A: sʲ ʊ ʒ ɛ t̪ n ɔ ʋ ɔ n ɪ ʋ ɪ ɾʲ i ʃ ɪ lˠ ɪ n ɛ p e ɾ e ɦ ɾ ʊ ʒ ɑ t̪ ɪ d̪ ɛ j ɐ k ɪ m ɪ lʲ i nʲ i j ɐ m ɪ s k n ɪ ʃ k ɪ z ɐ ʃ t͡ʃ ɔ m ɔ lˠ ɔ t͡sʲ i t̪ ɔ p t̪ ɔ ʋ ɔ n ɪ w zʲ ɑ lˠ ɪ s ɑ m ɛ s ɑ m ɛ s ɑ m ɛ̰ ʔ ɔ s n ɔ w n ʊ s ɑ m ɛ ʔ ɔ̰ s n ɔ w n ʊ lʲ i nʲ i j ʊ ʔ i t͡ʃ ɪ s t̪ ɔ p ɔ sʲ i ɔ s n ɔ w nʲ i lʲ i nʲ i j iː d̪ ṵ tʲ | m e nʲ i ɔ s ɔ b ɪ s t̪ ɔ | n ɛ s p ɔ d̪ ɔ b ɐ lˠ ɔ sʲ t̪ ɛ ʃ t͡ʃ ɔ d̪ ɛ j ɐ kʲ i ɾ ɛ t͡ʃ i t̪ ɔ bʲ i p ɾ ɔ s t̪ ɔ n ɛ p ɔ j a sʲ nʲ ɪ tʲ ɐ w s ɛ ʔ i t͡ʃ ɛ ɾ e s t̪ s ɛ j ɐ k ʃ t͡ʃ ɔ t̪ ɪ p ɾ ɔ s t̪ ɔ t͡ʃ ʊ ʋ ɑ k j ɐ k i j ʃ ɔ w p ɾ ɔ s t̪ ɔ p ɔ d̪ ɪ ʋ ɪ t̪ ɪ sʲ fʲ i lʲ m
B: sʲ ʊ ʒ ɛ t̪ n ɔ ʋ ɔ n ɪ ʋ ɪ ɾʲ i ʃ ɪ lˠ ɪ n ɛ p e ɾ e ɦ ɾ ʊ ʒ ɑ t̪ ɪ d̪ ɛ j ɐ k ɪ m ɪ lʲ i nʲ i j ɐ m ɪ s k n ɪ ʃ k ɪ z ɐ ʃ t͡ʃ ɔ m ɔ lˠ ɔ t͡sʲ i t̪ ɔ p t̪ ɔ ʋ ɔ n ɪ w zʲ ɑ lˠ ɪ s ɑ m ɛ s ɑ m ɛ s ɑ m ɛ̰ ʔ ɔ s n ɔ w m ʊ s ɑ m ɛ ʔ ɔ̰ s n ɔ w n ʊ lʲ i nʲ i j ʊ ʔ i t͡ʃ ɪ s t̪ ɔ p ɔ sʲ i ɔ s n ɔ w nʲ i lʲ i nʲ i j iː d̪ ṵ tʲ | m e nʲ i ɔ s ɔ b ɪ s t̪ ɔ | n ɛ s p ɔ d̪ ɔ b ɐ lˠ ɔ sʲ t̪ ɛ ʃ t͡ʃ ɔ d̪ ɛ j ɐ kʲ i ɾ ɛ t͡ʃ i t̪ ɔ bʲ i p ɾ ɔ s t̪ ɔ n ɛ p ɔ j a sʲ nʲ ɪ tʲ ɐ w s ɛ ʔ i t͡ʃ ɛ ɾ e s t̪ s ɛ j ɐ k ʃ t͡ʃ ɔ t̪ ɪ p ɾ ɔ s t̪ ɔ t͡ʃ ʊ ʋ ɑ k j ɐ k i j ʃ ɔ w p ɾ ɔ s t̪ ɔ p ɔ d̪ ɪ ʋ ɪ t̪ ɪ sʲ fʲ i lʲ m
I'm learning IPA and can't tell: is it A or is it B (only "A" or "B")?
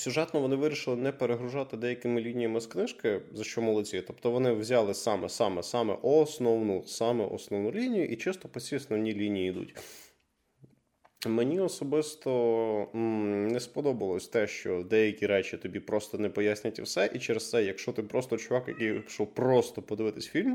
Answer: A